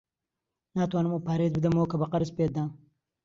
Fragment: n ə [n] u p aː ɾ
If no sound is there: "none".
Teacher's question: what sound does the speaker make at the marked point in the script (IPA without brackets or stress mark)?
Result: m